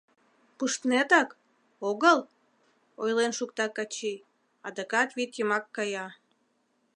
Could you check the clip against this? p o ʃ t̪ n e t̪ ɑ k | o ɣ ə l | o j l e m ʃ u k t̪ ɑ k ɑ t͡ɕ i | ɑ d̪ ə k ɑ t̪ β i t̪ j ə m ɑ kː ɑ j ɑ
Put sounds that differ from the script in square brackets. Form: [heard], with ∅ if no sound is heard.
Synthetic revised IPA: p [u] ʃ t̪ n e t̪ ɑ k | o ɣ ə l | o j l e [n] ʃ u k t̪ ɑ k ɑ t͡ɕ i | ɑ d̪ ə k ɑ t̪ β i t̪ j ə m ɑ kː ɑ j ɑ